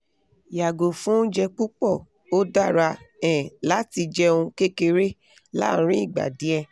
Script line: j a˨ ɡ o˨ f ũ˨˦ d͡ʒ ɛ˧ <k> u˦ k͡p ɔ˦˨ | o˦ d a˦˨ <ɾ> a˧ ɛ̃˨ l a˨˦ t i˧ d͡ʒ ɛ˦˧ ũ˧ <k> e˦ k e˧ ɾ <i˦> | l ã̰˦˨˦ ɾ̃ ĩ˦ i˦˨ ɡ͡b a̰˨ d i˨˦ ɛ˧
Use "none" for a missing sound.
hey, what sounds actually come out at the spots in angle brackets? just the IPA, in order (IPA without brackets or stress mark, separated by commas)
k͡p, ɾ, k, e˦